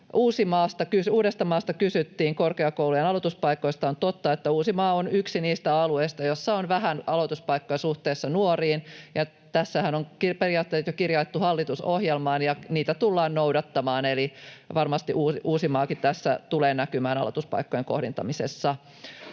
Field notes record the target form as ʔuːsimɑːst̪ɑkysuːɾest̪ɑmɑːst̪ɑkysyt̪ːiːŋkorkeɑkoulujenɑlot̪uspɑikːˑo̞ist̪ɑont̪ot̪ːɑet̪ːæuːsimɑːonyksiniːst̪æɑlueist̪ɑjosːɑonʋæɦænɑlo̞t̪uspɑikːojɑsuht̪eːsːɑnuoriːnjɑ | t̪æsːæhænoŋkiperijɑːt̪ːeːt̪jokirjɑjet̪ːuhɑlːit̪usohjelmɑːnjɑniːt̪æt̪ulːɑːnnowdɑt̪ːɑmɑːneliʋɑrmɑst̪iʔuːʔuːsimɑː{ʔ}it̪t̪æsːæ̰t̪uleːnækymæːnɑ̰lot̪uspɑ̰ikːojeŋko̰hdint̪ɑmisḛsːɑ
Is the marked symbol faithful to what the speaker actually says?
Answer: no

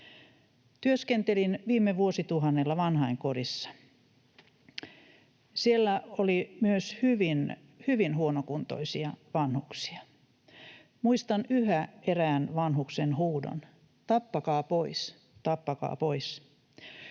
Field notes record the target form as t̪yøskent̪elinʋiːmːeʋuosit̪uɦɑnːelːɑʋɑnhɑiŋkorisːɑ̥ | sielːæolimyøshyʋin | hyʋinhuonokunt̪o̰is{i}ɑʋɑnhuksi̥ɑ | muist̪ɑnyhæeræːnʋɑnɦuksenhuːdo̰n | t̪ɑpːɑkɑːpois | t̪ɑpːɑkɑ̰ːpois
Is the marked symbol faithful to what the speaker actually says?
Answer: yes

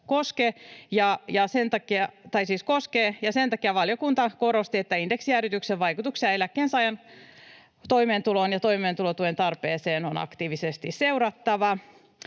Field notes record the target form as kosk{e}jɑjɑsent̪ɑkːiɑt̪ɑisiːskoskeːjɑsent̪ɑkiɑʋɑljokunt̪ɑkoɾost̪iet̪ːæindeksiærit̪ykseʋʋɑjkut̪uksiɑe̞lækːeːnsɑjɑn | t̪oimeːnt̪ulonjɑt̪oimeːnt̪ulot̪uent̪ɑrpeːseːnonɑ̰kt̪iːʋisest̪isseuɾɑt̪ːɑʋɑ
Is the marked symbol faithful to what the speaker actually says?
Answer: yes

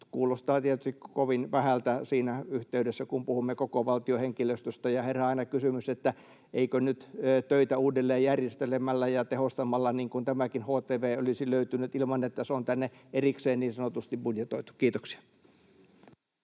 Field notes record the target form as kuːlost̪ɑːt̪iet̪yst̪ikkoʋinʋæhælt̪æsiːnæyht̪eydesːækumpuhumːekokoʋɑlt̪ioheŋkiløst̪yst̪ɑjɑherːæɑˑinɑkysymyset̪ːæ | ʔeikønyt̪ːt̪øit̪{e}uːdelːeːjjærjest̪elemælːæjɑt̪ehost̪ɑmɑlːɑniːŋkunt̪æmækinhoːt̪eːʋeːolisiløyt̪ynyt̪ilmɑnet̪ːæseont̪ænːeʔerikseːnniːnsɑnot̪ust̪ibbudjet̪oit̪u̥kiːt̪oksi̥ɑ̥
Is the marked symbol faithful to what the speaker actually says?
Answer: no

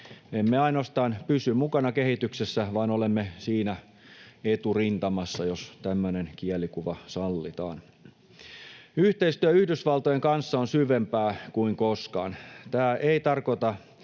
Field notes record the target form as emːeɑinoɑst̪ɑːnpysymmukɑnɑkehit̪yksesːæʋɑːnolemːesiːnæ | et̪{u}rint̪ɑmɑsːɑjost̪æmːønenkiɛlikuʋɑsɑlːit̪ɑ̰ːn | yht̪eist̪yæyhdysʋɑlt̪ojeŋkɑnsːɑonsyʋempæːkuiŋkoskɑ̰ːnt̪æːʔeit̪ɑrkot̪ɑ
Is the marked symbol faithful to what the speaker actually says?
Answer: yes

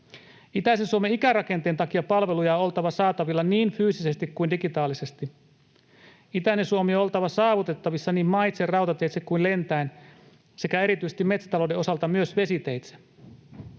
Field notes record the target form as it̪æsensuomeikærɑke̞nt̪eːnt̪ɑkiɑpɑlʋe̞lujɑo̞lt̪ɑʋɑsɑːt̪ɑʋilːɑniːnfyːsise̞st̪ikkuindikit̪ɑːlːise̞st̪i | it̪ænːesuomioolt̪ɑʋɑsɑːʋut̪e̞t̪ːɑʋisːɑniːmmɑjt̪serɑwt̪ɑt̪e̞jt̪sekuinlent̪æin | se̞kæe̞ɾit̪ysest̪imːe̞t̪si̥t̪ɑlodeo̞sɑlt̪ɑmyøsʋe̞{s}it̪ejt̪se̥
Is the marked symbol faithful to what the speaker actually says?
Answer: yes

